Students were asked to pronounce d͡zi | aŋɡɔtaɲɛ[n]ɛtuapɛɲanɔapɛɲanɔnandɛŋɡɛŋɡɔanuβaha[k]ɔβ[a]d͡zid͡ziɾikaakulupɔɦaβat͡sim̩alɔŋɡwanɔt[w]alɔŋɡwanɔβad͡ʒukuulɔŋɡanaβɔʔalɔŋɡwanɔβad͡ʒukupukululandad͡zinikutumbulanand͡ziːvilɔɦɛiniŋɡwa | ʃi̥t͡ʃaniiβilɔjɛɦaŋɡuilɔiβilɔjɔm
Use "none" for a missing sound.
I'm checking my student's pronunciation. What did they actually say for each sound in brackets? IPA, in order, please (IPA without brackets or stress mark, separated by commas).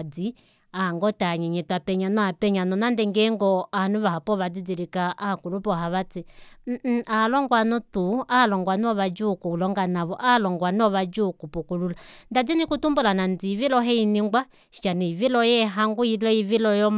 ɲ, p, a, u